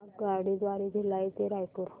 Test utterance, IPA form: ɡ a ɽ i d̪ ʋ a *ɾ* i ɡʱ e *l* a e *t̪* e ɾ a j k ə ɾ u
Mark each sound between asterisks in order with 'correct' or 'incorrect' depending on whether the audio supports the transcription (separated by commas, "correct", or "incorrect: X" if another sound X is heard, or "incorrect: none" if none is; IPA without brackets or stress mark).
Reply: correct, correct, correct